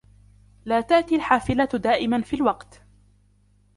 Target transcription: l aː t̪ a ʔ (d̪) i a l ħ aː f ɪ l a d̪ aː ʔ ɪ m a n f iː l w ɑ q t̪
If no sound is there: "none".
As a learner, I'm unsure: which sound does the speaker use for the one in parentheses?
t̪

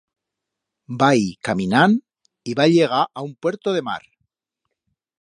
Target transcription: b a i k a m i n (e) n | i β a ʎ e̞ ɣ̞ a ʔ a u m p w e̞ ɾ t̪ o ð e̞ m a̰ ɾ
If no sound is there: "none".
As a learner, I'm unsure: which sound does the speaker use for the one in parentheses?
a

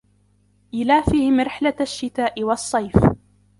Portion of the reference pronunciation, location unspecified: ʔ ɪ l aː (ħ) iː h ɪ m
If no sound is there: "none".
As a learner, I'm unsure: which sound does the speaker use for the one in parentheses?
f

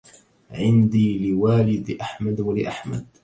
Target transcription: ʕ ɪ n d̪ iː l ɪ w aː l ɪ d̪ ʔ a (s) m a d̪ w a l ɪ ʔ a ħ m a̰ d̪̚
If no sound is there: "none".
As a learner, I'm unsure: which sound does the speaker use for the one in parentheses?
ħ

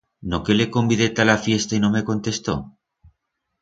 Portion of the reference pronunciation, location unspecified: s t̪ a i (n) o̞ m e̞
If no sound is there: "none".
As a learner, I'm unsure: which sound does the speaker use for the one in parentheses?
n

